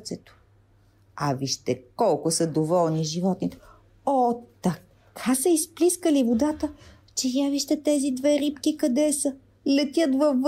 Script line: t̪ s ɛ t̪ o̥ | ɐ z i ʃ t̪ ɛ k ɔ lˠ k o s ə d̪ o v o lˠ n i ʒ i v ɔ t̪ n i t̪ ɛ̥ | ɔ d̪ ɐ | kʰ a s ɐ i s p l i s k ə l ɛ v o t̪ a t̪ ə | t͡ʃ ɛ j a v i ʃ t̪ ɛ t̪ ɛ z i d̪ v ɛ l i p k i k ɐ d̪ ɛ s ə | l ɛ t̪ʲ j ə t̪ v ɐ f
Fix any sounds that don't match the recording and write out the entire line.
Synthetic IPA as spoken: t̪ s ɛ t̪ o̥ | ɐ v i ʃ t̪ ɛ k ɔ lˠ k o s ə d̪ o v ɔ lˠ n i ʒ i v ɔ t̪ n i t̪ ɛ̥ | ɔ t̪ ɐ | kʰ a s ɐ i s p l i s k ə l i v o d̪ a t̪ ə | t͡ʃ ɛ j a v i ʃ t̪ ɛ t̪ ɛ z i d̪ v ɛ ɾ i p k i k ɐ d̪ ɛ s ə | l ɛ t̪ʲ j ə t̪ v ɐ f